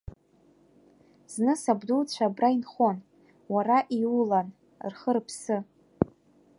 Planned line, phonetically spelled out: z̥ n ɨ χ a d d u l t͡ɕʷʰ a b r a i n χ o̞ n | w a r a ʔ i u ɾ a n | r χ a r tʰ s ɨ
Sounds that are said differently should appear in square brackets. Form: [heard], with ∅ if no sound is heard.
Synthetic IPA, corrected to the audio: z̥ n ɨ [s] a [b] d u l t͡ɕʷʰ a b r a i n χ o̞ n | w a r a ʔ i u [l] a n | r χ [ə] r [pʰ] s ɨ

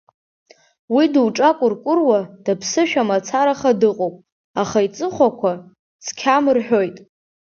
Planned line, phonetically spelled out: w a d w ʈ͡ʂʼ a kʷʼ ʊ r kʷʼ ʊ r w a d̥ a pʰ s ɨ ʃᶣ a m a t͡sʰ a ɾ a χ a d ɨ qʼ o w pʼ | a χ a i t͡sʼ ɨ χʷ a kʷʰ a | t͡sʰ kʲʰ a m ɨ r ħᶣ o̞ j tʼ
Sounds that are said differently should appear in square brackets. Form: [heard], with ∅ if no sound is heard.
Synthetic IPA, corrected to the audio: w [i] d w ʈ͡ʂʼ a kʷʼ ʊ r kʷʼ ʊ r w a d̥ a pʰ s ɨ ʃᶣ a m a t͡sʰ a ɾ a χ a d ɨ qʼ o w pʼ | a χ a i t͡sʼ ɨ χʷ a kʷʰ a | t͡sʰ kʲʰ a m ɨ r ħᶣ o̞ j tʼ

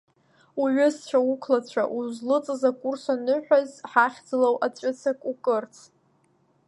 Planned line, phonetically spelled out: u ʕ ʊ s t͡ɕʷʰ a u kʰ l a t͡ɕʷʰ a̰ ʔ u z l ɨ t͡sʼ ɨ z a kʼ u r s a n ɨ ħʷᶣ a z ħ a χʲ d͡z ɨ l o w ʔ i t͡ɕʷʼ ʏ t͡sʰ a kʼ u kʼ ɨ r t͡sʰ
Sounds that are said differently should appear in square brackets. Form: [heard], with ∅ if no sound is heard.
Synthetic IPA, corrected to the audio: u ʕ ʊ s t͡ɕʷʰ a u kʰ l a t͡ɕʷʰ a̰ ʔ u z l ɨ t͡sʼ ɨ z a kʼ u r s a n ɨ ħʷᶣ a z ħ a χʲ d͡z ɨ l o w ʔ [a] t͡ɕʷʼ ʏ t͡sʰ a kʼ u kʼ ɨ r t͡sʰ

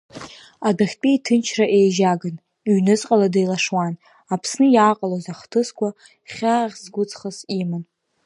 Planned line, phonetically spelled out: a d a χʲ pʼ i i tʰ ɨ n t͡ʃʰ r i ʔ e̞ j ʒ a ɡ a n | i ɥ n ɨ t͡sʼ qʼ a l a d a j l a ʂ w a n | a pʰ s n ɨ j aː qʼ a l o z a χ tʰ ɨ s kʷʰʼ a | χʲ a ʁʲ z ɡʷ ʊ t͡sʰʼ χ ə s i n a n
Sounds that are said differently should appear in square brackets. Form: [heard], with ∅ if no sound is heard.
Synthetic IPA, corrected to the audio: a d a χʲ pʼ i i tʰ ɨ n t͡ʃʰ r [a] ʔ e̞ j ʒ a ɡ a n | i ɥ n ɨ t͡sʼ qʼ a l a d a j l a ʂ w a n | a pʰ s n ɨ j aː qʼ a l o z a χ tʰ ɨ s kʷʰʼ a | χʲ a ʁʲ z ɡʷ ʊ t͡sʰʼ χ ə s i [m] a n

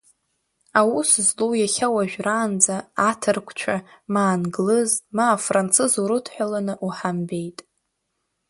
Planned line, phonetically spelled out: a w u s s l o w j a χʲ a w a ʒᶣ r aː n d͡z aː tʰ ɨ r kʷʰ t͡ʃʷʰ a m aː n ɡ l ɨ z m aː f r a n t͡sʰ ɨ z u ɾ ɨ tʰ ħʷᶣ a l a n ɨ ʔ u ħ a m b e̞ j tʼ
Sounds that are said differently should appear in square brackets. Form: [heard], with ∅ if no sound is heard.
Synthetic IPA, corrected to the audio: a w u s [z] l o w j a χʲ a w a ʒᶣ r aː n d͡z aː tʰ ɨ r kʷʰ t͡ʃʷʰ a m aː n ɡ l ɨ z m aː f r a n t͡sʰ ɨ z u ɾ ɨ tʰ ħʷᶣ a l a n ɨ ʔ u ħ a m b e̞ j tʼ

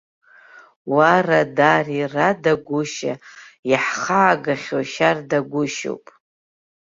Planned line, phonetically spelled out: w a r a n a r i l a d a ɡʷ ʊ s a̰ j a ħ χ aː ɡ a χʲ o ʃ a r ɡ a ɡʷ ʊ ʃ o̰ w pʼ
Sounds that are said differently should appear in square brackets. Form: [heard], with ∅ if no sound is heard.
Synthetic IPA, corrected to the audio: w a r a [d] a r i [r] a d a ɡʷ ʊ [ʃ] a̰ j a ħ χ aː ɡ a χʲ o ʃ a r [d] a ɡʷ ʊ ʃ o̰ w pʼ

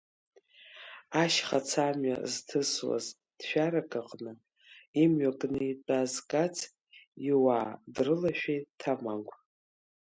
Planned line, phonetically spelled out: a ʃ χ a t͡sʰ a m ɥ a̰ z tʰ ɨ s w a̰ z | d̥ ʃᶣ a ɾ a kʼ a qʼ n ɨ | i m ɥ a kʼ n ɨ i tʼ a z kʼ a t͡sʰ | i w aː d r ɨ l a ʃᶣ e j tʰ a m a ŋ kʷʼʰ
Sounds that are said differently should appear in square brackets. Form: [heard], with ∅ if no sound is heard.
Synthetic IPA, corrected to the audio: a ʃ χ a t͡sʰ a m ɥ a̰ z tʰ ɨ s w a̰ z | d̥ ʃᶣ a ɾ a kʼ a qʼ n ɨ | i m ɥ a kʼ n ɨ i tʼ a z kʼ a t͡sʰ | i w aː d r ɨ l a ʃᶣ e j tʰ a m a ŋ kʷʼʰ

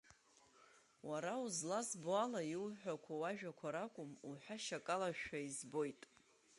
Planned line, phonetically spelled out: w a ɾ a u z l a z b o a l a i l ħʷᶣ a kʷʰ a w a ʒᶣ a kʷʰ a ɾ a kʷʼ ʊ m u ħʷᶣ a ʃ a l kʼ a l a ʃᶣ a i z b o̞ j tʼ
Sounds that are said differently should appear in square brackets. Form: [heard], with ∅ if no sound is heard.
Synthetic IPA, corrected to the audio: w a ɾ a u z l a z b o a l a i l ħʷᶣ a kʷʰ a w a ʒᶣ a kʷʰ a ɾ a kʷʼ ʊ m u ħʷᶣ a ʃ a [∅] kʼ a l a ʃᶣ a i z b o̞ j tʼ

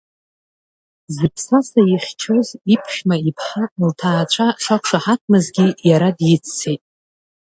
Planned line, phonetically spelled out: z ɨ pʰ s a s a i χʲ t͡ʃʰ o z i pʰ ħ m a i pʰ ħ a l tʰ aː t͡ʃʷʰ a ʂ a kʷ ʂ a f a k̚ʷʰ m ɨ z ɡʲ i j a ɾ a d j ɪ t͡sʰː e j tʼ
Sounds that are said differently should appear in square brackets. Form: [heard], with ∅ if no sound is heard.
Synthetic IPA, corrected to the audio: z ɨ pʰ s a s a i χʲ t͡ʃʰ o z i pʰ [ʃ] m a i pʰ ħ a l tʰ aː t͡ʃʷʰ a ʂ a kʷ ʂ a [ħ] a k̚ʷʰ m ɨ z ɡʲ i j a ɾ a d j ɪ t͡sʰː e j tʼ

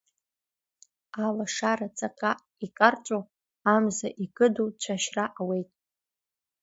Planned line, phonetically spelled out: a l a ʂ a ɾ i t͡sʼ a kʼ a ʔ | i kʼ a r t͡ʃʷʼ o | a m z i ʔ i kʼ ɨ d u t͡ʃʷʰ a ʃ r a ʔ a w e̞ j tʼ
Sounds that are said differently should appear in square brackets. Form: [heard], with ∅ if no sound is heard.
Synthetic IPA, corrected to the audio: a l a ʂ a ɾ [a] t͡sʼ a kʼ a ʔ | i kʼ a r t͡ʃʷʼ o | a m z [a] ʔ i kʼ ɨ d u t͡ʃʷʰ a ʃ r a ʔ a w e̞ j tʼ

